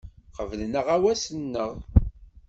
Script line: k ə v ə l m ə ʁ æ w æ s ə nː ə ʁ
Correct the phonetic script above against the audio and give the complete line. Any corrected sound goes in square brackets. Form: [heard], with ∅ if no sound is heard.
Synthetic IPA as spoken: [q] ə v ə l [n] ə ʁ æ w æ s ə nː ə ʁ